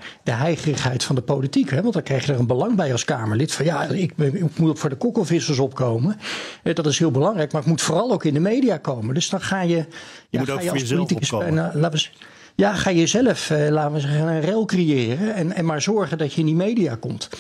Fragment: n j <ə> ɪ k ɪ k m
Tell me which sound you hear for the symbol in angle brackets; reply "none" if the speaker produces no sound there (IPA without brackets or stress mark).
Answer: a